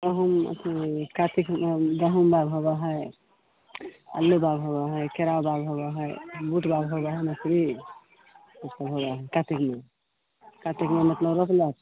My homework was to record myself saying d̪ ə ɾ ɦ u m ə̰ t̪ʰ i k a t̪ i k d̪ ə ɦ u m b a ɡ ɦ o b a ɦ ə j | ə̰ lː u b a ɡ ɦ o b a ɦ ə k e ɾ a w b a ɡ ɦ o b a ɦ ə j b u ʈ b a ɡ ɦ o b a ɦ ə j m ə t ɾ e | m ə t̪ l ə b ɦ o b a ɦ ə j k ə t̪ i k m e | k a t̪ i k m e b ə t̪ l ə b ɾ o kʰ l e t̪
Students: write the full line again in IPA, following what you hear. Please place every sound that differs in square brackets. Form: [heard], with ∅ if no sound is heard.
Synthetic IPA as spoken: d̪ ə [∅] ɦ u m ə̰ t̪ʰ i k a t̪ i k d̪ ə ɦ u m b a ɡ ɦ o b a ɦ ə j | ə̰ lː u b a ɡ ɦ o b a ɦ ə k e ɾ a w b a ɡ ɦ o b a ɦ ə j b u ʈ b a ɡ ɦ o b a ɦ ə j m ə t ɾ [i] | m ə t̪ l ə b ɦ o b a ɦ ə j k [a] t̪ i k m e | k a t̪ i k m e [m] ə t̪ l ə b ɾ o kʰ l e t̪